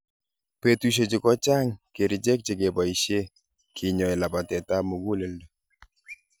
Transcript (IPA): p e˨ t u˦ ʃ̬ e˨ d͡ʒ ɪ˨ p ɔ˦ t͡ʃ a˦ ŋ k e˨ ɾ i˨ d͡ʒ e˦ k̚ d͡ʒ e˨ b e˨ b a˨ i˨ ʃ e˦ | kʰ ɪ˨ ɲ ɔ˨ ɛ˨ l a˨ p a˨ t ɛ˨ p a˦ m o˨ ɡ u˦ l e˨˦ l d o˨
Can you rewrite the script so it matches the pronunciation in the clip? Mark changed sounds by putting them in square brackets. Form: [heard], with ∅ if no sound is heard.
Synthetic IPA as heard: p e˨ t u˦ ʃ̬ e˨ d͡ʒ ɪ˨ [k] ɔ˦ t͡ʃ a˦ ŋ k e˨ ɾ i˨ d͡ʒ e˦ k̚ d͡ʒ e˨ [ɡ] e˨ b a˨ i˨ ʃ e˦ | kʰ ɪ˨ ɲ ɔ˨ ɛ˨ l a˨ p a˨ t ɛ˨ [t] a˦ m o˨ ɡ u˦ l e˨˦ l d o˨